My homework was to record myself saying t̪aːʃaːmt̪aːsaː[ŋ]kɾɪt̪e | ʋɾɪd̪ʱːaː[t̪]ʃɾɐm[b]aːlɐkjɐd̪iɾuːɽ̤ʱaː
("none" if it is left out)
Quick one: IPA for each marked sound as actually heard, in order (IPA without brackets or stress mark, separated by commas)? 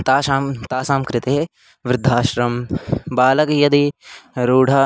m, none, b